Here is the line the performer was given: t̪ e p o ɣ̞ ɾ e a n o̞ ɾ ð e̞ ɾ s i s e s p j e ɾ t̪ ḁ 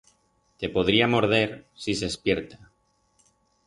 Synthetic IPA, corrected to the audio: t̪ e p o ð̞ ɾ i a m o̞ ɾ ð e̞ ɾ s i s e s p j e ɾ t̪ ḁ